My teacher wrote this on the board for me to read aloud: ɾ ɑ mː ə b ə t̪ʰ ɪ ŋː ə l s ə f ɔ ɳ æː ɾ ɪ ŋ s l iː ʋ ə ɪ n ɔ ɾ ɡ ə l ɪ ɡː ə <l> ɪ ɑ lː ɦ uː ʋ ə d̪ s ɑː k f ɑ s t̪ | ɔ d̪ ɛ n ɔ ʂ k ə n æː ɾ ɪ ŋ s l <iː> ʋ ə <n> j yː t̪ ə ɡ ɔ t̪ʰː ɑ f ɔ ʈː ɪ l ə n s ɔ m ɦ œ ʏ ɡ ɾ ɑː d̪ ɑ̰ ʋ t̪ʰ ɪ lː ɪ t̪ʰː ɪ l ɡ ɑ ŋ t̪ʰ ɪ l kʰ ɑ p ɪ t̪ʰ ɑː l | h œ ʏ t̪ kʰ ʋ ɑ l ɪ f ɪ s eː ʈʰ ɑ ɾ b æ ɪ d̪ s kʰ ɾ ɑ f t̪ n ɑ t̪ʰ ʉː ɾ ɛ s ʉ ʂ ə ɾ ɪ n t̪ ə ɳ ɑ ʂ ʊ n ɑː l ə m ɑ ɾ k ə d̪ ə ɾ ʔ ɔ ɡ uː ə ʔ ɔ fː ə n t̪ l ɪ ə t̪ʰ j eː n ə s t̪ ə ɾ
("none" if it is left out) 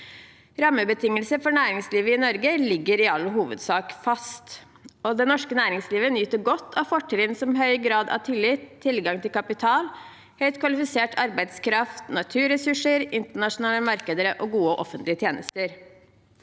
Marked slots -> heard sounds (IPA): ɾ, iː, n

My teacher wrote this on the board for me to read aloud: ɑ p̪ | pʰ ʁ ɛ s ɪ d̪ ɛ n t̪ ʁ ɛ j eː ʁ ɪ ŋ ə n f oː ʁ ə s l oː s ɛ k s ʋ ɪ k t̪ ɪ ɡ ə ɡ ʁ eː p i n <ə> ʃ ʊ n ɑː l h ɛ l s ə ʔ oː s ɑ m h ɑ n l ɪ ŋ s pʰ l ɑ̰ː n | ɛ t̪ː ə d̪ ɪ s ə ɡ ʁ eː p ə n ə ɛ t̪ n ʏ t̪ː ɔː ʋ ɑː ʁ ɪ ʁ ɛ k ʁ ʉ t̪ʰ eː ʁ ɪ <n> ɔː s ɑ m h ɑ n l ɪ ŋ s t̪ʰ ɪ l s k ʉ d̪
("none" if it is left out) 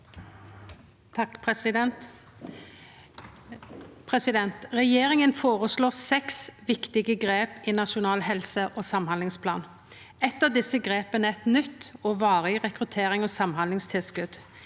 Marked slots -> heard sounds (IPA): ɑ, ŋ

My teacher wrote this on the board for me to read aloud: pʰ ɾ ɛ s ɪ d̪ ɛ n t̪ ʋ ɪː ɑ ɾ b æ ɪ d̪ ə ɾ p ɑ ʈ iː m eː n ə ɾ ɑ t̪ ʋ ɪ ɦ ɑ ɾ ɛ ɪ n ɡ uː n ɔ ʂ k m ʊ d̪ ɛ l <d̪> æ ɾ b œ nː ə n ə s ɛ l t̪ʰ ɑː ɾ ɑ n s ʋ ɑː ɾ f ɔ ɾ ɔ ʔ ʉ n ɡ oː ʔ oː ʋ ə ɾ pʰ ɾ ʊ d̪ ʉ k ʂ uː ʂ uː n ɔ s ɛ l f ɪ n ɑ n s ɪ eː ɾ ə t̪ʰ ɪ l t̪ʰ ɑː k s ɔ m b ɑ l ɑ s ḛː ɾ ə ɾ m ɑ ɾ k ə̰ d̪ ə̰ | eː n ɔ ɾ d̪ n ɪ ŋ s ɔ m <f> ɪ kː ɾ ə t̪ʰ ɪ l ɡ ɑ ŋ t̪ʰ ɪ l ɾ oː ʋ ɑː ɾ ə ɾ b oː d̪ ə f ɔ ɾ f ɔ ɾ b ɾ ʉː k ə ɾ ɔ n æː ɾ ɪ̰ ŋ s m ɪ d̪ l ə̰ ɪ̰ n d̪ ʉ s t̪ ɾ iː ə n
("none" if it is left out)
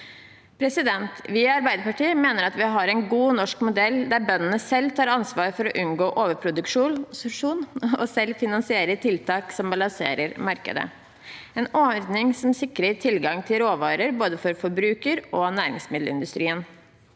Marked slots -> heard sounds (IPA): d̪, s

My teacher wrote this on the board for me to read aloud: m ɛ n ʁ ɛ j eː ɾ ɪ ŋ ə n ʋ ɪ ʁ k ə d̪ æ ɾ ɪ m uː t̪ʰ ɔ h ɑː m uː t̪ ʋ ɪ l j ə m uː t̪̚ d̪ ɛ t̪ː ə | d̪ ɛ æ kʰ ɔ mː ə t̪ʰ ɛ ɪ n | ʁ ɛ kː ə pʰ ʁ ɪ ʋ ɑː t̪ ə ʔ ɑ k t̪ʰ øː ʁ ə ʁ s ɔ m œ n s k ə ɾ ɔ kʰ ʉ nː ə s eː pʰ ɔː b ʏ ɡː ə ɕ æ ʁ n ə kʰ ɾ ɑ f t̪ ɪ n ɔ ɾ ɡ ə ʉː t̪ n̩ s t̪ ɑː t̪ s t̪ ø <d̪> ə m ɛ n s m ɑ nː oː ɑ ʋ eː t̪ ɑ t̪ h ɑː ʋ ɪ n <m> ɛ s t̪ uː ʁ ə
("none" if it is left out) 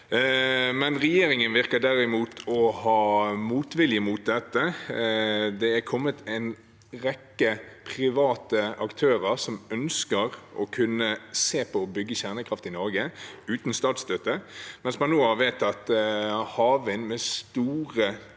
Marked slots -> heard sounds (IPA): t̪, m

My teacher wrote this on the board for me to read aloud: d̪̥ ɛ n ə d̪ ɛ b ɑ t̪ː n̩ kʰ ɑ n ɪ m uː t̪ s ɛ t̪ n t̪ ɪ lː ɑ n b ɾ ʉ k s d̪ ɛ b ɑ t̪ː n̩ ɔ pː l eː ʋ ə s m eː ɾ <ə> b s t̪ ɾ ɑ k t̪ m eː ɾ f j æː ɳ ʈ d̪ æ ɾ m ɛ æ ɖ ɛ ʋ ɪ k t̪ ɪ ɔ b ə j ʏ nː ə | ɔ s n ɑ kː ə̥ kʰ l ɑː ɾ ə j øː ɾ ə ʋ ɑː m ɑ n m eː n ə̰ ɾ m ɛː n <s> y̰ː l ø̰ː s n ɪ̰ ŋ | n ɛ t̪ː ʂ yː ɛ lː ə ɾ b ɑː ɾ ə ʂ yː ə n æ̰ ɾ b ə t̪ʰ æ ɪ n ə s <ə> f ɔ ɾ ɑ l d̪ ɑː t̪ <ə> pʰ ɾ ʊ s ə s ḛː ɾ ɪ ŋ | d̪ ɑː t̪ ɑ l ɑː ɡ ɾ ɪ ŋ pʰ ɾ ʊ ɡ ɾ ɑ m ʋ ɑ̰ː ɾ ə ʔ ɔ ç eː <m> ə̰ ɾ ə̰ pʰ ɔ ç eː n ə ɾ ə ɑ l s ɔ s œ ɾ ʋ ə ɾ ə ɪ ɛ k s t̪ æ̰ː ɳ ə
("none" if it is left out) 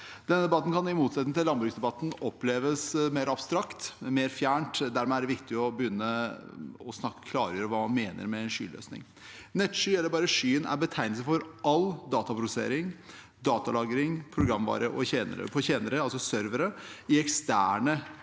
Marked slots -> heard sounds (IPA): ɑ, ʂ, ə, ɑ, n

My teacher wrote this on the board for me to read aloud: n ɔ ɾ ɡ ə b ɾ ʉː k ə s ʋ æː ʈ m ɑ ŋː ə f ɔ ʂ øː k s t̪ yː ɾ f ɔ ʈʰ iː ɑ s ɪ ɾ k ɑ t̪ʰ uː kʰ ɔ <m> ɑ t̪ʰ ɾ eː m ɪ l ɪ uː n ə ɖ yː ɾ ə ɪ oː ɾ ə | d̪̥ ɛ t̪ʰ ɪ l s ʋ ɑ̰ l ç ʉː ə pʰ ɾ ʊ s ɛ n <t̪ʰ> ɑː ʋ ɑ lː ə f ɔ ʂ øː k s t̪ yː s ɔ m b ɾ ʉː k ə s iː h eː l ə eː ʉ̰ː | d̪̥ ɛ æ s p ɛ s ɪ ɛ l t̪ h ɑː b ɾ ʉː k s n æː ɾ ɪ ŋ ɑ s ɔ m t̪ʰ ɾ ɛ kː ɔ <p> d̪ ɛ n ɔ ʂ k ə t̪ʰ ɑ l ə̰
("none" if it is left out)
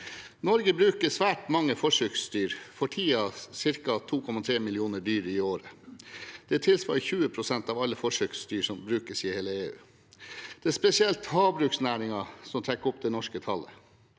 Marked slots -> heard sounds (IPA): m, t̪, p

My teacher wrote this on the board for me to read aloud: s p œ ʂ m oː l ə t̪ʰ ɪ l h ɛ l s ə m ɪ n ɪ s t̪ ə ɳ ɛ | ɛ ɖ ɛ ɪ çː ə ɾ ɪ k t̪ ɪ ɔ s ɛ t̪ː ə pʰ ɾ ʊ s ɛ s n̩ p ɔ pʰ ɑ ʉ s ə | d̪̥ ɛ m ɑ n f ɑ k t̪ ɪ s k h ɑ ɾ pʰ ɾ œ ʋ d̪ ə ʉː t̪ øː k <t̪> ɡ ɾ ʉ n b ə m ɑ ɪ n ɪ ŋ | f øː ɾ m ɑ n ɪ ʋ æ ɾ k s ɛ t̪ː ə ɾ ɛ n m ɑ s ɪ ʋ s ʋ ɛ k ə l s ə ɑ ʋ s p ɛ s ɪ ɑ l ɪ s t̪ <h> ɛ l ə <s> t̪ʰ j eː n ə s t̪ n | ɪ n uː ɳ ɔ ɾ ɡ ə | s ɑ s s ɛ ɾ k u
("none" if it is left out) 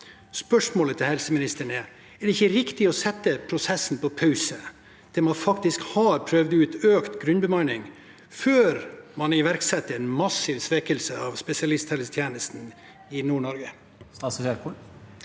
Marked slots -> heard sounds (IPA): t̪, h, s

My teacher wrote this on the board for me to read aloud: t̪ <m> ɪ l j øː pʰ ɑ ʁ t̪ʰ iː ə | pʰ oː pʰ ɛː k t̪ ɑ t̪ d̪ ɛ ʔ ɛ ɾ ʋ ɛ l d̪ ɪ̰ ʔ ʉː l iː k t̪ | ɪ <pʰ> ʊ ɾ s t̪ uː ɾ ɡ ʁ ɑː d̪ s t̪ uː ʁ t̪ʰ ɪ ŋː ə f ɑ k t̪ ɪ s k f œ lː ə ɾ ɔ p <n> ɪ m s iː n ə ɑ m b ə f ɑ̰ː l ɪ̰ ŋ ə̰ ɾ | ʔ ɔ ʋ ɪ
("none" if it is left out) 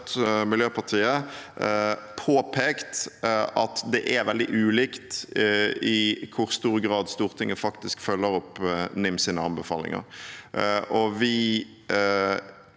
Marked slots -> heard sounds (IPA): m, kʰ, n

